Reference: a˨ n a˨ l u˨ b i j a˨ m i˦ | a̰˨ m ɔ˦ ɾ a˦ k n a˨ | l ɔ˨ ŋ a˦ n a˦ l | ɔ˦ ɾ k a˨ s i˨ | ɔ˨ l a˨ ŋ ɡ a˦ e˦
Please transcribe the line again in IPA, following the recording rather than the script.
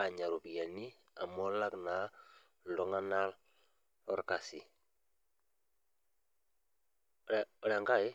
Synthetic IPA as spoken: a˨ ɲ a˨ ɾ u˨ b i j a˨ n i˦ | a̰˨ m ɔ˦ l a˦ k n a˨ | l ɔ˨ ŋ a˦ n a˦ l | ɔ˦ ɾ k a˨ s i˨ | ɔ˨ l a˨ ŋ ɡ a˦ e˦